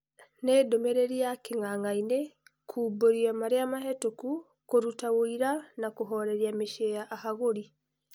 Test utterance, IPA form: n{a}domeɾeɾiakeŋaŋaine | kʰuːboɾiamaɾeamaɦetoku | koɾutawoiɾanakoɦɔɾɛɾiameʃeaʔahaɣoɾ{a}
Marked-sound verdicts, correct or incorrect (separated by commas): incorrect, incorrect